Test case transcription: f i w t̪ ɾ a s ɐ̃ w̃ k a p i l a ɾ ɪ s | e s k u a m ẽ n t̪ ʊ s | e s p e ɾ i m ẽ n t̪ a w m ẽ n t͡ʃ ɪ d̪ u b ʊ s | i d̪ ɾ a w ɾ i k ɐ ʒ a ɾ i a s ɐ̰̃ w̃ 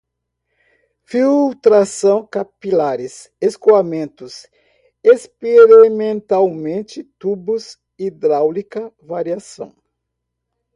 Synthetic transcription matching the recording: f i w t̪ ɾ a s ɐ̃ w̃ k a p i l a ɾ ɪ s | e s k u a m ẽ n t̪ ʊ s | e s p e ɾ i m ẽ n t̪ a w m ẽ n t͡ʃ ɪ t̪ u b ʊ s | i d̪ ɾ a w l i k ɐ v a ɾ i a s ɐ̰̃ w̃